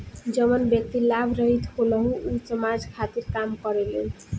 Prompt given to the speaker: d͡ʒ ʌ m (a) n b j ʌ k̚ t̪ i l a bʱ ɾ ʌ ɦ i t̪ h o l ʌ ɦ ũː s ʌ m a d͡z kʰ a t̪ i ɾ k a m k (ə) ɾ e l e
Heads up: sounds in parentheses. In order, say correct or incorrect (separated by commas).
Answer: incorrect, incorrect